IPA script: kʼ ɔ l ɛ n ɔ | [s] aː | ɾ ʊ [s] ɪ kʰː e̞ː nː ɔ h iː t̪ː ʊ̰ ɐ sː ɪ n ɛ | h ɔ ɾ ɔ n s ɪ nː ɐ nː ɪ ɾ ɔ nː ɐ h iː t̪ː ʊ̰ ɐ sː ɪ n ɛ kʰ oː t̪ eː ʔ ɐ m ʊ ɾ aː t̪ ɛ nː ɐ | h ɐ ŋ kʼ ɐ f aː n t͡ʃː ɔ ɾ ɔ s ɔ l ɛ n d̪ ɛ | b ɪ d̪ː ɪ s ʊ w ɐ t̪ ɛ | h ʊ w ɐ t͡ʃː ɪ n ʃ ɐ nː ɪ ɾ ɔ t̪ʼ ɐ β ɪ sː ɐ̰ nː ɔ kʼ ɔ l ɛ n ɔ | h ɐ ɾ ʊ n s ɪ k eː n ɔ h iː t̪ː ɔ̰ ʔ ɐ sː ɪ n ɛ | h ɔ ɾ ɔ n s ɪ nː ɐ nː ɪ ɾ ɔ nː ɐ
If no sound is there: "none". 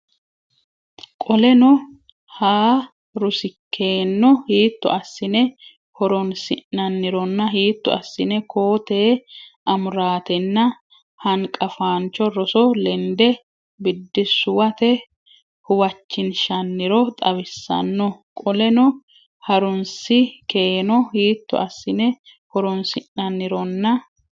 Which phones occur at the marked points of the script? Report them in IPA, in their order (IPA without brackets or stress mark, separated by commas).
h, s